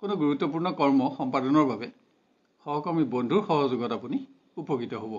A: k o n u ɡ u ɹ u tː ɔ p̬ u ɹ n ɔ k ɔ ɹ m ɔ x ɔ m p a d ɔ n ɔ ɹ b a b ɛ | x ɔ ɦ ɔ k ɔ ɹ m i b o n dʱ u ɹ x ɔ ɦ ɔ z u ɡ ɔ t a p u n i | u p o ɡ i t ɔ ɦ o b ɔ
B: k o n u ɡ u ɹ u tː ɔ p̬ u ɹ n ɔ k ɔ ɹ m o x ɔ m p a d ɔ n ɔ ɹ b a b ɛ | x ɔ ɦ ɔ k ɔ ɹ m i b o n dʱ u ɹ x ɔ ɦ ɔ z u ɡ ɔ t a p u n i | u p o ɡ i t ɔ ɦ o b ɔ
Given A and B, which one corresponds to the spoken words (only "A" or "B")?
A